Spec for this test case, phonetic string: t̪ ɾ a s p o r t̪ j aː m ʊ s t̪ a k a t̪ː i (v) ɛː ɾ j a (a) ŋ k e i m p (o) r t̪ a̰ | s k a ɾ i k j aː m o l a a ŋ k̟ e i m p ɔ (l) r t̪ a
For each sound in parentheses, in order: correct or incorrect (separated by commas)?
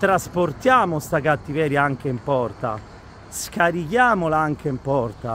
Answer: correct, correct, incorrect, incorrect